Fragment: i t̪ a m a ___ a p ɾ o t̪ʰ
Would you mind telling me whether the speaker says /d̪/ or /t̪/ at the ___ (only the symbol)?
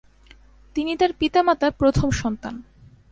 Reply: t̪